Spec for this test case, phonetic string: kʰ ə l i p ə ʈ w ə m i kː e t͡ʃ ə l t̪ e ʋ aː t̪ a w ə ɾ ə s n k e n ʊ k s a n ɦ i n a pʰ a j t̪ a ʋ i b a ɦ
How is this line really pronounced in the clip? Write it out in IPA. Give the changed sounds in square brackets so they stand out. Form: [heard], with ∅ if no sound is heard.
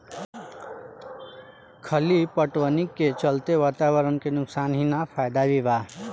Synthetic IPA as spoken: kʰ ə l i p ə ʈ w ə [n] i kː e t͡ʃ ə l t̪ e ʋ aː t̪ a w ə ɾ ə [∅] n k e n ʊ k s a n ɦ i n a pʰ a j [d̪] a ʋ i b a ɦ